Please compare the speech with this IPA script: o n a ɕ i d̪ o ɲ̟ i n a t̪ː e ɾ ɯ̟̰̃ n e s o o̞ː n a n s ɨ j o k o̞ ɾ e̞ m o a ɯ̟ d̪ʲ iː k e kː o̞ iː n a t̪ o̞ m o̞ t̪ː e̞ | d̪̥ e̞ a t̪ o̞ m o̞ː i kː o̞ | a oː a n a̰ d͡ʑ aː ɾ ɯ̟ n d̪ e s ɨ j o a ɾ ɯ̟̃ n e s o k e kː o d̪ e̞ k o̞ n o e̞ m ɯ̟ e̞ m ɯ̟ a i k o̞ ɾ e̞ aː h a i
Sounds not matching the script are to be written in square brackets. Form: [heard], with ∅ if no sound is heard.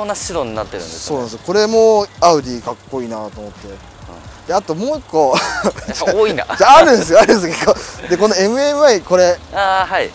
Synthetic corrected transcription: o n a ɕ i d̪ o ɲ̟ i n a t̪ː e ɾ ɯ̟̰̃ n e s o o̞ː n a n s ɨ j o k o̞ ɾ e̞ m o a ɯ̟ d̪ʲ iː k [a] kː o̞ iː n a t̪ o̞ m o̞ t̪ː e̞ | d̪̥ e̞ a t̪ o̞ m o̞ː i kː o̞ | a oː [i] n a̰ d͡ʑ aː ɾ ɯ̟ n d̪ e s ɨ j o a ɾ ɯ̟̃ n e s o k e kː o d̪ e̞ k o̞ n o e̞ m ɯ̟ e̞ m ɯ̟ a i k o̞ ɾ e̞ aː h a i